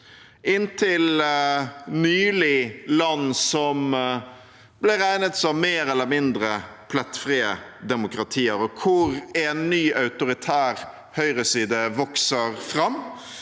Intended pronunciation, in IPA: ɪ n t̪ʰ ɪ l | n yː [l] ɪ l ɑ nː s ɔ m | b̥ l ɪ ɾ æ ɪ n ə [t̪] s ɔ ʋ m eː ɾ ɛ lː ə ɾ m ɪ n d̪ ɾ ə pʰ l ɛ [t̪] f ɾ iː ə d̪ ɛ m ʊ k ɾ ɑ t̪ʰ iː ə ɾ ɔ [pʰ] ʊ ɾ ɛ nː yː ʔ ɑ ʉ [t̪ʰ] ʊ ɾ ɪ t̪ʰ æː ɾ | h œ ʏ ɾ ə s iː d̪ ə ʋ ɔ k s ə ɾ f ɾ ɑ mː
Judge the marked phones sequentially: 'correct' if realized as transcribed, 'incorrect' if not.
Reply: correct, correct, correct, incorrect: kʰ, incorrect: t̪

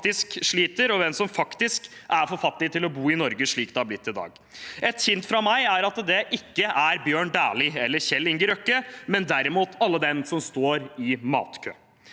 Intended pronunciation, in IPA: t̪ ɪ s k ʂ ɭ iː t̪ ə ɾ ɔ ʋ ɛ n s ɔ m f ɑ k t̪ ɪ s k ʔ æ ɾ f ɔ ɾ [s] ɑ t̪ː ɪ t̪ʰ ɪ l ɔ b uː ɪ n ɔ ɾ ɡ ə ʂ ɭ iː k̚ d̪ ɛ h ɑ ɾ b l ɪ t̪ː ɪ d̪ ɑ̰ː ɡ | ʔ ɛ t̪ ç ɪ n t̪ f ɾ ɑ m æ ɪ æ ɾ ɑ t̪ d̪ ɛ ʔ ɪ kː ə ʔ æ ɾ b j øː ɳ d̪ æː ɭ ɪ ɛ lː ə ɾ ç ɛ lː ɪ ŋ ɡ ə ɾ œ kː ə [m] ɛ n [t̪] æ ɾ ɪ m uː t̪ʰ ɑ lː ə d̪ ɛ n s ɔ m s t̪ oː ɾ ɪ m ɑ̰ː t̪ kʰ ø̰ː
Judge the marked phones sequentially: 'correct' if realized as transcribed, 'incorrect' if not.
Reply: incorrect: f, correct, incorrect: d̪

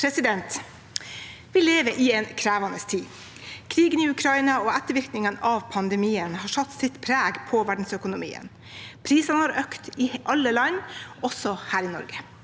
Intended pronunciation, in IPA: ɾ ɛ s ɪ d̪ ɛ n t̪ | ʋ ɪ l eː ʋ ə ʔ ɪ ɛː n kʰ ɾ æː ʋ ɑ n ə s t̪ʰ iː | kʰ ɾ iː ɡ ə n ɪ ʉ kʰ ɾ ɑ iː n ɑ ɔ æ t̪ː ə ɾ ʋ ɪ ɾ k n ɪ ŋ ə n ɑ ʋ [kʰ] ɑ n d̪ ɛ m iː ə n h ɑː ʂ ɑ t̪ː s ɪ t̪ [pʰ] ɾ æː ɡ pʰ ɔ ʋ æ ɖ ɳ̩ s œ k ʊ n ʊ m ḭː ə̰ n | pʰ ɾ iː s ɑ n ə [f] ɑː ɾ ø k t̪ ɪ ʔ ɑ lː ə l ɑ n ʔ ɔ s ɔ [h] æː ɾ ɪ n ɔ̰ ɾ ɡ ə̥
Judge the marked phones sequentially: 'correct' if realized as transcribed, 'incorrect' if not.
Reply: incorrect: pʰ, correct, incorrect: h, correct

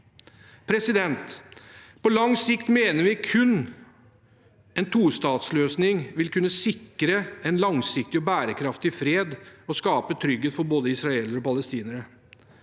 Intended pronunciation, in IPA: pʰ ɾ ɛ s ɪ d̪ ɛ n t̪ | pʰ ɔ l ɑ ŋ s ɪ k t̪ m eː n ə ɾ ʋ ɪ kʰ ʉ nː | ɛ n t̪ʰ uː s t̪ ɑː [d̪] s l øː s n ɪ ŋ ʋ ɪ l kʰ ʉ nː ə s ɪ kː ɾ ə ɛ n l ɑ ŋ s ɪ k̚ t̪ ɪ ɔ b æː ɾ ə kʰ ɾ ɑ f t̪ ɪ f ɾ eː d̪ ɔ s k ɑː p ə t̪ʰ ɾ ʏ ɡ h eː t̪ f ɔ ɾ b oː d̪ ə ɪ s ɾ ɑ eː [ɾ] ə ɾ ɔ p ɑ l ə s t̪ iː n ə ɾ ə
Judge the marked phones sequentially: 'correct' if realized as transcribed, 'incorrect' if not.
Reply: incorrect: t̪, incorrect: l

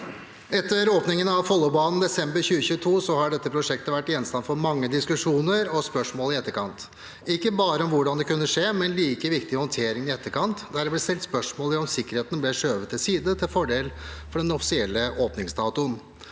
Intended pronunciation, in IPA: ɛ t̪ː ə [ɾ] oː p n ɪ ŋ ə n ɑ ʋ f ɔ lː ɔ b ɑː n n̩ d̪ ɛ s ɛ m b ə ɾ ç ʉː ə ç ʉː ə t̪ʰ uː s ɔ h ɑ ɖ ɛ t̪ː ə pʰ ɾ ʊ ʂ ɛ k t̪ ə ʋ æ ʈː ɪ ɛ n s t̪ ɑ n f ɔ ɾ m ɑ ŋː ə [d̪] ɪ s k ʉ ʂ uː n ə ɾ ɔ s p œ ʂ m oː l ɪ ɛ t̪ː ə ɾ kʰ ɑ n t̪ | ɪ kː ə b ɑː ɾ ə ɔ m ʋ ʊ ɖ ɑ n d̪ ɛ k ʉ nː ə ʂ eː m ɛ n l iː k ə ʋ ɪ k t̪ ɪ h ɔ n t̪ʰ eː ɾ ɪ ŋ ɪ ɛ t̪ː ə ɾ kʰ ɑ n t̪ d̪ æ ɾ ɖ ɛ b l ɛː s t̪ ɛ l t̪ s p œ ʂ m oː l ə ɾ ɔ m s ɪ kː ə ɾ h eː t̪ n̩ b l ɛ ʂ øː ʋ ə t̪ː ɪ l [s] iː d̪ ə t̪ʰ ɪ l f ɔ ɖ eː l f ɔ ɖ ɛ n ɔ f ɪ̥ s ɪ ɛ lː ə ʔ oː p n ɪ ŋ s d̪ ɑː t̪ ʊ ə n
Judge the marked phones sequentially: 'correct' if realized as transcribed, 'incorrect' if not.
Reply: correct, correct, correct

